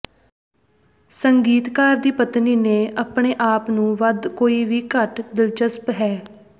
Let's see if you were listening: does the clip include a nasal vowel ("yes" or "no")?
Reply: yes